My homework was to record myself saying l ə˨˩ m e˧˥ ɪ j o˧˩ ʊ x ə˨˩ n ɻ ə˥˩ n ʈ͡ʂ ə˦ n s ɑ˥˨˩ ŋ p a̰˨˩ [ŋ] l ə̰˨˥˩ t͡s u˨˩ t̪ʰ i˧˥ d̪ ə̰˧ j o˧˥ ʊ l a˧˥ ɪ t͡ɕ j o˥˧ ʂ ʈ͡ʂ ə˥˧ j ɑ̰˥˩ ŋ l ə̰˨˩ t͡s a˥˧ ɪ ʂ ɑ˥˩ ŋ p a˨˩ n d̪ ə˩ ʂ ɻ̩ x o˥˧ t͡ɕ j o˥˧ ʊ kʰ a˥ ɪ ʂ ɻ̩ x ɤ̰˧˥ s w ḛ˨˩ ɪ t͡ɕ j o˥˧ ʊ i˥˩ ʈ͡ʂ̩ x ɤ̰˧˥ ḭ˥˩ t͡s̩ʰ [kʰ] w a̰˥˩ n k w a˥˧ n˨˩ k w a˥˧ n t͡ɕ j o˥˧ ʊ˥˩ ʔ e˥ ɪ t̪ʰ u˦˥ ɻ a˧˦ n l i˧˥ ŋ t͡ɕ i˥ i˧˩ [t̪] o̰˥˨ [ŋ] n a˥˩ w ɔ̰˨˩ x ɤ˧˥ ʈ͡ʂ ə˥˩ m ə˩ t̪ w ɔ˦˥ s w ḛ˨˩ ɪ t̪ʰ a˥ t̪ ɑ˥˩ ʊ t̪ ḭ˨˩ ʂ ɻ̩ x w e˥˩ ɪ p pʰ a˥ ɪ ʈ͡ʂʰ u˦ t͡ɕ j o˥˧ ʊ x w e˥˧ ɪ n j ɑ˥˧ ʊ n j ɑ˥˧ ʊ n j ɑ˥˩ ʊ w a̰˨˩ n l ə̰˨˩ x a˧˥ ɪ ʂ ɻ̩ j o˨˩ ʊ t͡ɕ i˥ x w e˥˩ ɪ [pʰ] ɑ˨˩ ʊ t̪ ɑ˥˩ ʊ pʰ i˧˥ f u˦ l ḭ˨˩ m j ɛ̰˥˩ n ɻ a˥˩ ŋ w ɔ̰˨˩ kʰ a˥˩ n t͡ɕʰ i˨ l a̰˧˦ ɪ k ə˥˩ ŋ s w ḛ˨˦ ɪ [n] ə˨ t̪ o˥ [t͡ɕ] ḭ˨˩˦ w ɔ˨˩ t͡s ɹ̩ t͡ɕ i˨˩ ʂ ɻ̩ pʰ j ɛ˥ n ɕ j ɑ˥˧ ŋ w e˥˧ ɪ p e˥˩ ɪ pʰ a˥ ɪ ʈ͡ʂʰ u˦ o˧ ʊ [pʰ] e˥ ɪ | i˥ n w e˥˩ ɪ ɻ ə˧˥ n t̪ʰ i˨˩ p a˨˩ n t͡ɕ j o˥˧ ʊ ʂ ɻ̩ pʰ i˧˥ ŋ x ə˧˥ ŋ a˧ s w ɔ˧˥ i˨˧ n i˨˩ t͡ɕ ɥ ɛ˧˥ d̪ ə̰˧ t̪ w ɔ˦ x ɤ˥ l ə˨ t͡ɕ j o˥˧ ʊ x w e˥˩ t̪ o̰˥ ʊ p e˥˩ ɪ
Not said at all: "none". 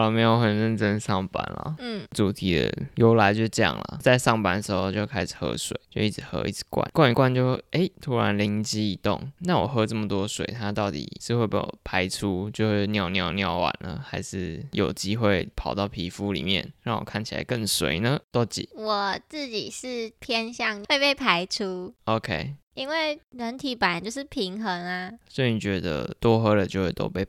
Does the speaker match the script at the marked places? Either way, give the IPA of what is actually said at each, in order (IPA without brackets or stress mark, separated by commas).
n, k, t̪, ŋ, pʰ, n, t͡ɕ, kʰ